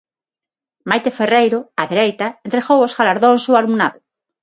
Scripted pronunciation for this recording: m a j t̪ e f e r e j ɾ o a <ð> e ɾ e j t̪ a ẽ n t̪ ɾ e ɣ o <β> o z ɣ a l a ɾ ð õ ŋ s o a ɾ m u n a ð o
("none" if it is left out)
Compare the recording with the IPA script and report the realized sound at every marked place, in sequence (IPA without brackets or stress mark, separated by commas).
ð, w